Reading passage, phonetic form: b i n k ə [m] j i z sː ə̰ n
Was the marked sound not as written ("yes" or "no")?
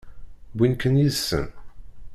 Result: yes